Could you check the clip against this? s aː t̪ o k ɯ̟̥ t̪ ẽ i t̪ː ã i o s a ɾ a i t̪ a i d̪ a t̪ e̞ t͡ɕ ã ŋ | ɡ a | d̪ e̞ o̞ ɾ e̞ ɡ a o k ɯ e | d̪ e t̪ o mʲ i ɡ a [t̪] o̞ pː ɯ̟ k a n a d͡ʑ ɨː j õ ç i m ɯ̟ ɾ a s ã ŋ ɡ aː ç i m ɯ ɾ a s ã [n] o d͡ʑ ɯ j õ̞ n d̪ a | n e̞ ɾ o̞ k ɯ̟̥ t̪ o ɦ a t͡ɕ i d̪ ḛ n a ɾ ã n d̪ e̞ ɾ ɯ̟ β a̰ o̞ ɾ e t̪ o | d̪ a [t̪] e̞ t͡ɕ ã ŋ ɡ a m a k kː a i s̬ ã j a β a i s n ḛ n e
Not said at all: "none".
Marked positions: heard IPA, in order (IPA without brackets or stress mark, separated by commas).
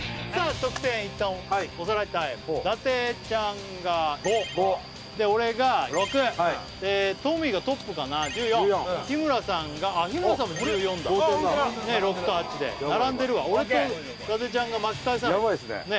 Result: t̪, m, t̪